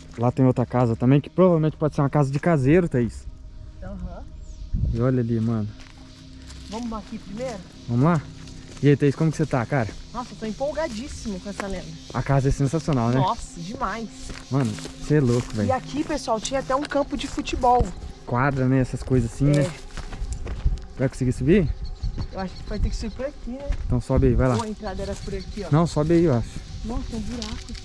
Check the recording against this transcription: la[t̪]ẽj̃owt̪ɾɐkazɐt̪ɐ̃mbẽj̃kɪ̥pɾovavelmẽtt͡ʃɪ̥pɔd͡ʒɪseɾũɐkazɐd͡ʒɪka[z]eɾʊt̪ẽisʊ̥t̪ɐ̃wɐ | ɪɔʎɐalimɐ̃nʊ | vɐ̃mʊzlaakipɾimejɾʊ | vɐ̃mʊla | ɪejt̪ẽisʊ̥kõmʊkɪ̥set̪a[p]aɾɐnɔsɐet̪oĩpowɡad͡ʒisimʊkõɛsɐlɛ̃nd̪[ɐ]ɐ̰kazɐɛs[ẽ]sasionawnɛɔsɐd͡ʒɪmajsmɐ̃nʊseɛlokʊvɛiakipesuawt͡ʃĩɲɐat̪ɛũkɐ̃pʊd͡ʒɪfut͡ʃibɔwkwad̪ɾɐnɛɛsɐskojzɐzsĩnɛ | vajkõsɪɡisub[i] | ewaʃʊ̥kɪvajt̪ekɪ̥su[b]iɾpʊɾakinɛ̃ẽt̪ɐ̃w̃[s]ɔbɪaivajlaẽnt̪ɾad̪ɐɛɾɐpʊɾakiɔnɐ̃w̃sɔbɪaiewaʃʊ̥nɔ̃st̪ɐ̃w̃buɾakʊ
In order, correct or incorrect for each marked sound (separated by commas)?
correct, correct, incorrect, correct, correct, correct, correct, correct